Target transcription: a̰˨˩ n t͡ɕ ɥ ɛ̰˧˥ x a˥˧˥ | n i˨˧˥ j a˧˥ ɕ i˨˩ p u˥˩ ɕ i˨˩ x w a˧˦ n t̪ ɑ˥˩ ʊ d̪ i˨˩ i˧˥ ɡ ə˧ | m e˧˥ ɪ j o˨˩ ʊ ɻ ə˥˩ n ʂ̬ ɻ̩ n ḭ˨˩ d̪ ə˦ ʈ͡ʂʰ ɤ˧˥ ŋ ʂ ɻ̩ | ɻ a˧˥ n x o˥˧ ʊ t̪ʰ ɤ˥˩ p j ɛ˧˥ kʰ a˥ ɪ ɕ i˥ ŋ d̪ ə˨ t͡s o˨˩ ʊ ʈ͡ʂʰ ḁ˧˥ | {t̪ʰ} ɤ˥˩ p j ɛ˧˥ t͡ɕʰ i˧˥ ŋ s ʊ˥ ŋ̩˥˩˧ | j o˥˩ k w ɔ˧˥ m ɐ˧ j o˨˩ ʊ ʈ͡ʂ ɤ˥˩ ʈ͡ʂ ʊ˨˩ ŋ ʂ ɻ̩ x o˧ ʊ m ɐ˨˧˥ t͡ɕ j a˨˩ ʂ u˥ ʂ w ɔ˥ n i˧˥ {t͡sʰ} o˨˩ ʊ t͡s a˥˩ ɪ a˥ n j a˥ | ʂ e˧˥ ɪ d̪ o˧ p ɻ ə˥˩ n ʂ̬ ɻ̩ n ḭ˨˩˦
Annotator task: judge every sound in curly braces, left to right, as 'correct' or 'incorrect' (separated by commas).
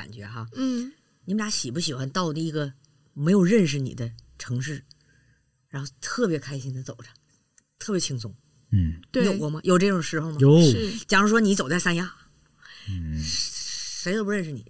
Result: correct, incorrect